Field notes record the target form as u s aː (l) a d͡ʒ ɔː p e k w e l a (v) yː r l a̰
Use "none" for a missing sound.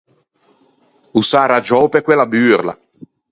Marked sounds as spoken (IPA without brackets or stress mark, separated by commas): ɾ, b